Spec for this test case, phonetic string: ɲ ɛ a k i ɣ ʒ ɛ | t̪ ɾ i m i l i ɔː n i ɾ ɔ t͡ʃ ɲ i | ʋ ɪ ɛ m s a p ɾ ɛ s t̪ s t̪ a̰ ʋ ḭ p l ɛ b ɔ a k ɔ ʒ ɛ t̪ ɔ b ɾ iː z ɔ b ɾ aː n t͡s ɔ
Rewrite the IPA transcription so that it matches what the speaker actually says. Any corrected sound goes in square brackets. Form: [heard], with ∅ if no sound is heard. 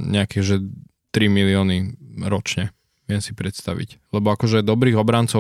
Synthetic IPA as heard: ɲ ɛ a k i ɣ ʒ ɛ | t̪ ɾ i m i l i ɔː n i ɾ ɔ t͡ʃ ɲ [ɛ] | ʋ ɪ ɛ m s [i] p ɾ ɛ [∅] t̪ s t̪ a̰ ʋ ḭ [c] l ɛ b ɔ a k ɔ ʒ ɛ [d̪] ɔ b ɾ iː [ɣ] ɔ b ɾ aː n t͡s ɔ